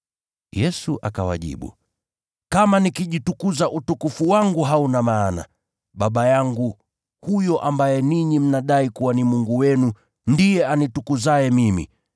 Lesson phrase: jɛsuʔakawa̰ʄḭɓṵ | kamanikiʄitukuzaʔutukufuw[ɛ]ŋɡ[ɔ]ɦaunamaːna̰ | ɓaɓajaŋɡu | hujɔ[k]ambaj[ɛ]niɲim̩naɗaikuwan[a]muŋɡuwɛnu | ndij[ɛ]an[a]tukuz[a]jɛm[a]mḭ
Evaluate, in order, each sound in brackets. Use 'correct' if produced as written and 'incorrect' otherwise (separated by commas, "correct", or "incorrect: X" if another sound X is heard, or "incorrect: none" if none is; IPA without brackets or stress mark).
incorrect: a, incorrect: u, incorrect: ʔ, correct, incorrect: i, correct, incorrect: i, correct, incorrect: i